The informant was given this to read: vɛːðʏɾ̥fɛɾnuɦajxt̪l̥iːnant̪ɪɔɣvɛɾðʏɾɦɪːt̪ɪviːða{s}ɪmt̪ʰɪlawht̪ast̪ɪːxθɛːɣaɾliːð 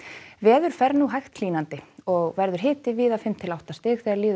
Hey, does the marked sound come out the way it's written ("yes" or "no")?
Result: no